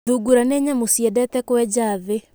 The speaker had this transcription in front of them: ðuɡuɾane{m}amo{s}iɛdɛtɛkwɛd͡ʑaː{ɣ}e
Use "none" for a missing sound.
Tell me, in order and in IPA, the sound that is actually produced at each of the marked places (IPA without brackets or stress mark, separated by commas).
ɲ, s, ð